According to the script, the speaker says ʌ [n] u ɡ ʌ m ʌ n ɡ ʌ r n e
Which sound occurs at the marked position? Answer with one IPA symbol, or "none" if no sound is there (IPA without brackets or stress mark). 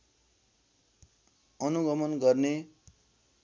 n